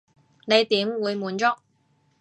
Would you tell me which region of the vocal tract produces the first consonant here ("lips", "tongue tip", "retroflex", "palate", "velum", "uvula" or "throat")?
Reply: tongue tip